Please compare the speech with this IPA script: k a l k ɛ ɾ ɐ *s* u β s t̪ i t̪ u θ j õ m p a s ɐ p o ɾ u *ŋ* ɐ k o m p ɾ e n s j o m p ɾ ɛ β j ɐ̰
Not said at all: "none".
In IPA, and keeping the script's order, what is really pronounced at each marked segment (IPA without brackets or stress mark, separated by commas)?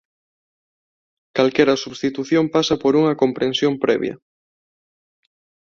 s, ŋ